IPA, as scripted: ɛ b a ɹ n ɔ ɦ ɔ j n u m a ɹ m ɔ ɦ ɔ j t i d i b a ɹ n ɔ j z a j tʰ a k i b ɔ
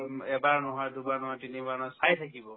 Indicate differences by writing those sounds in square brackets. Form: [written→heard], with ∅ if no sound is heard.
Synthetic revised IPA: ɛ b a ɹ n ɔ ɦ ɔ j [n→d] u [m→b] a ɹ [m→n] ɔ ɦ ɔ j t i [d→n] i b a ɹ n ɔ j [z→s] a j tʰ a k i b ɔ